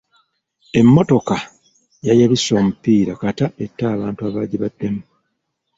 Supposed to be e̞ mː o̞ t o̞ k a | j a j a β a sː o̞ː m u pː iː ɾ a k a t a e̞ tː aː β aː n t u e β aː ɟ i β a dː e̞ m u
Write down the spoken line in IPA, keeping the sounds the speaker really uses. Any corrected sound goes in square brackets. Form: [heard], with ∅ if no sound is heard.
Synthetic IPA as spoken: e̞ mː o̞ t o̞ k a | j a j a β [i] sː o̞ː m u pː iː ɾ a k a t a e̞ tː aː β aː n t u [a] β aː ɟ i β a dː e̞ m u